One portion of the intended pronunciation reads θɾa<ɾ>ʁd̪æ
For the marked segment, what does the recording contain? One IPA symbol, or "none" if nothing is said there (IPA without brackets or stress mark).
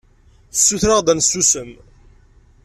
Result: none